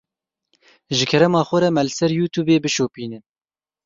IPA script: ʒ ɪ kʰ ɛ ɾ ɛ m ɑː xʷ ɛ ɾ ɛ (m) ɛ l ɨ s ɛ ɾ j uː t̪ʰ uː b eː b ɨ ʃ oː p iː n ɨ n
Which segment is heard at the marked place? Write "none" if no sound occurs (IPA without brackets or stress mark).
m